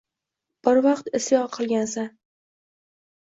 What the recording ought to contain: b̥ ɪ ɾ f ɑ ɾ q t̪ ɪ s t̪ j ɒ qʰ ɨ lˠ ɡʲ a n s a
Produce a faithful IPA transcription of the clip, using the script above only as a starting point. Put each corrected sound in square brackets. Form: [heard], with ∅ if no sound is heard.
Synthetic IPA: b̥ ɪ ɾ [v] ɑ [∅] q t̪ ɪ s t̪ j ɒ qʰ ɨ lˠ ɡʲ a n s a